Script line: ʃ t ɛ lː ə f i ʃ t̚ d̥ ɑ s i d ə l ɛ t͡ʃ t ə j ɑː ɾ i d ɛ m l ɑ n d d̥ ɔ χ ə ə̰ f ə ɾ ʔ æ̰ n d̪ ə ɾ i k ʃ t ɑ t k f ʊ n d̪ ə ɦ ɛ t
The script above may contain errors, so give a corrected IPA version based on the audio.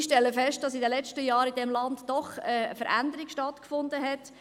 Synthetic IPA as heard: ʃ t ɛ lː ə f ɛ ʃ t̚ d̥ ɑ s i d ə l ɛ t͡ʃ t ə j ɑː ɾ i d ɛ m l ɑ n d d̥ ɔ χ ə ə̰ f ə ɾ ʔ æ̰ n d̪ ə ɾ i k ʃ t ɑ t k f ʊ n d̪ ə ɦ ɛ t